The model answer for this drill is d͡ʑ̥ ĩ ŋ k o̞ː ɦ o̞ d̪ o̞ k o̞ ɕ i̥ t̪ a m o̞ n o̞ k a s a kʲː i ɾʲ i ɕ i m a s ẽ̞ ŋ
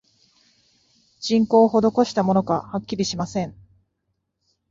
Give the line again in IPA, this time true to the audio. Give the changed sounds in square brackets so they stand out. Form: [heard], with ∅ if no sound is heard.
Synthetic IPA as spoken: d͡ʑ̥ ĩ ŋ k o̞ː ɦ o̞ d̪ o̞ k o̞ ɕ i̥ t̪ a m o̞ n o̞ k a [h] a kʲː i ɾʲ i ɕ i m a s ẽ̞ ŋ

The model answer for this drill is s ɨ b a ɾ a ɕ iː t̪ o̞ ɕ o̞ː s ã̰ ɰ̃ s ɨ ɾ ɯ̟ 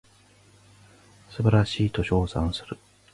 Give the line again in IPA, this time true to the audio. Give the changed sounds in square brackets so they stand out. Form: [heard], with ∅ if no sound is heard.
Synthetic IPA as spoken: s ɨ b a ɾ a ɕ iː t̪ o̞ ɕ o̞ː s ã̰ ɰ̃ s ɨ ɾ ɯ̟

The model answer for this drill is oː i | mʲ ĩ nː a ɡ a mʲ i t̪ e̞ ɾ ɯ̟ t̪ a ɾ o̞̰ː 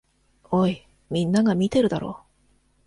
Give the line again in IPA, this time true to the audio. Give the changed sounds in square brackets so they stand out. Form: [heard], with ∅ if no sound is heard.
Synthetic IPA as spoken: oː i | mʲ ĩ nː a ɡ a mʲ i t̪ e̞ ɾ ɯ̟ [d̪] a ɾ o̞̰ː

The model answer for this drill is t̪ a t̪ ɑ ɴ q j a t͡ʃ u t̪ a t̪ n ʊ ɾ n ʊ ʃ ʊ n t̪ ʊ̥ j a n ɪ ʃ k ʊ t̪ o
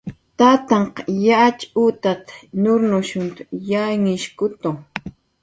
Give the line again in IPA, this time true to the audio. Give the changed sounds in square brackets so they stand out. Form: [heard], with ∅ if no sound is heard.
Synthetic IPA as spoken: t̪ a t̪ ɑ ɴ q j a t͡ʃ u t̪ a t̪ n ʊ ɾ n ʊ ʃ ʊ n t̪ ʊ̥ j a [ŋ] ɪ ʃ k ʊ t̪ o

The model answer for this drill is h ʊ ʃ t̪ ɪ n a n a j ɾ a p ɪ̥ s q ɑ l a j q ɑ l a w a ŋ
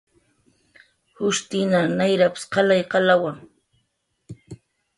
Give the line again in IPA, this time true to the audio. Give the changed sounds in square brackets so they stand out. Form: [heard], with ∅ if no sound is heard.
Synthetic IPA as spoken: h ʊ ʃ t̪ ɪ n a n a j ɾ a p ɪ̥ s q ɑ l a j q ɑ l a w a ŋ

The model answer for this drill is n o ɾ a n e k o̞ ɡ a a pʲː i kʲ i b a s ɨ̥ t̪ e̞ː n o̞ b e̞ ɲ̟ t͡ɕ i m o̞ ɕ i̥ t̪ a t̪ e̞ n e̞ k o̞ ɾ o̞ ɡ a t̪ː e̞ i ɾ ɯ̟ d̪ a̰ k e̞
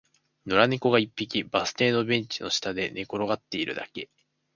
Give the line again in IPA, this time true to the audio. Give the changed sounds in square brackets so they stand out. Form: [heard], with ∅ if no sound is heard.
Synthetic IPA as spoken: n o ɾ a n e k o̞ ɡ a [i] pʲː i kʲ i b a s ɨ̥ t̪ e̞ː n o̞ b [ẽ̞] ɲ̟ t͡ɕ i [n] o̞ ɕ i̥ t̪ a [d̪] e̞ n e̞ k o̞ ɾ o̞ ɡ a t̪ː e̞ i ɾ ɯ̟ d̪ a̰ k e̞

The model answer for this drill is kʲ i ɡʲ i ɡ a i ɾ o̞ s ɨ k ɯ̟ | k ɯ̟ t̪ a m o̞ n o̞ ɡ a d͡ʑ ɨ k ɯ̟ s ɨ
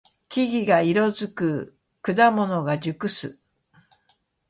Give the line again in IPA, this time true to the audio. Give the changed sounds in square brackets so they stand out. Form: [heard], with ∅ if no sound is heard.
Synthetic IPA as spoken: kʲ i ɡʲ i ɡ a i ɾ o̞ [z] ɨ k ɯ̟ | k ɯ̟ [d̪] a m o̞ n o̞ ɡ a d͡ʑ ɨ k ɯ̟ s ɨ

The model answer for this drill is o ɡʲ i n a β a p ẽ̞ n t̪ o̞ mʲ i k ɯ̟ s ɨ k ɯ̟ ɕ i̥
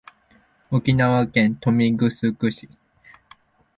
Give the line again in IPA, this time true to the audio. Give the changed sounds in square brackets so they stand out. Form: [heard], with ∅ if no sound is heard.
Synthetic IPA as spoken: o [kʲ] i n a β a [k] ẽ̞ n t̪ o̞ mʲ i [ɡ] ɯ̟ s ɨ k ɯ̟ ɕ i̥

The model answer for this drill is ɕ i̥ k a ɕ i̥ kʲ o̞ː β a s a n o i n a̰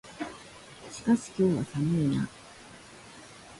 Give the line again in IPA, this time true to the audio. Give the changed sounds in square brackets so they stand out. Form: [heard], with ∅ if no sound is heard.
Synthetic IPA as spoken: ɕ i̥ k a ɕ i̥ kʲ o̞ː β a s a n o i n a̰

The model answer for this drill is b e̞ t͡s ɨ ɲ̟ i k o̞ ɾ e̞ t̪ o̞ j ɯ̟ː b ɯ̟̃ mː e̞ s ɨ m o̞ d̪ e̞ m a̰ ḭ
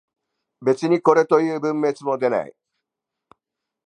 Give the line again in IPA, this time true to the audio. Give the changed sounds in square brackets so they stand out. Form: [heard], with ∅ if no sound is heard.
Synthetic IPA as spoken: b e̞ t͡s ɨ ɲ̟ i k o̞ ɾ e̞ t̪ o̞ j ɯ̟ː b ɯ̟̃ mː e̞ [t͡s] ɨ m o̞ d̪ e̞ [n] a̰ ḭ

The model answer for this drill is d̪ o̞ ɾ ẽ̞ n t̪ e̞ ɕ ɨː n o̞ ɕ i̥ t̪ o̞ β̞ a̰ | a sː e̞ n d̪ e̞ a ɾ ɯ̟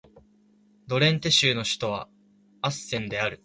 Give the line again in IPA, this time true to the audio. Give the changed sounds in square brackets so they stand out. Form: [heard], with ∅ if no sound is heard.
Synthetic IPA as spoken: d̪ o̞ ɾ ẽ̞ n t̪ e̞ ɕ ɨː n o̞ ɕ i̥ t̪ o̞ β̞ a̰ | a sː [ẽ̞] n d̪ e̞ a ɾ ɯ̟

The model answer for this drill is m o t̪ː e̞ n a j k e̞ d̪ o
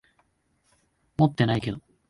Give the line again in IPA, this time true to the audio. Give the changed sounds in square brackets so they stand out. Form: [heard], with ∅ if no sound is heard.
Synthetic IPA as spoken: m o t̪ː e̞ n a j k e̞ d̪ o

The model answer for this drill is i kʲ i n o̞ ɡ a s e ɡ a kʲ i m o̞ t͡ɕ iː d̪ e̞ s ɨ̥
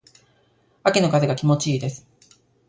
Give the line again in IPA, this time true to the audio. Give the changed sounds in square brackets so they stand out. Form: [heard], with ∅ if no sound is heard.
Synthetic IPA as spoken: [a] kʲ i n o̞ [k] a [z] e ɡ a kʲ i m o̞ t͡ɕ iː d̪ e̞ s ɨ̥

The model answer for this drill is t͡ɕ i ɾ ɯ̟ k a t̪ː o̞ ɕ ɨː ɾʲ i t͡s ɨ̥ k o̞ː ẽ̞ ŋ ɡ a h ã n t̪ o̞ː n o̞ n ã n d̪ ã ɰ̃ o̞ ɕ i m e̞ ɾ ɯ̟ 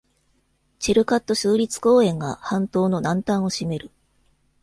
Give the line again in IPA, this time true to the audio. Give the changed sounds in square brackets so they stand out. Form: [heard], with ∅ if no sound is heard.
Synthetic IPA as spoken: t͡ɕ i ɾ ɯ̟ k a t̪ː o̞ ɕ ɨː ɾʲ i t͡s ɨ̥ k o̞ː ẽ̞ ŋ ɡ a h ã n t̪ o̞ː n o̞ n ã n [t̪] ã ɰ̃ o̞ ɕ i m e̞ ɾ ɯ̟

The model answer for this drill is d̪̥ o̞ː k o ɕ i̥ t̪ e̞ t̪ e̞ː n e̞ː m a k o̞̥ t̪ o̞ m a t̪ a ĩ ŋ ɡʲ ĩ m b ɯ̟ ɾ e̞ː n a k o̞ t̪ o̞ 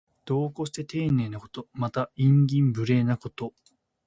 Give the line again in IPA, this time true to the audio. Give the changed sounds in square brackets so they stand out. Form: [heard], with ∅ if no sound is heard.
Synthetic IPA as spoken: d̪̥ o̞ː k o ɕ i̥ t̪ e̞ t̪ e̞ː n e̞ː [n] a k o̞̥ t̪ o̞ m a t̪ a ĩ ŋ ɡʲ ĩ m b ɯ̟ ɾ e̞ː n a k o̞ t̪ o̞

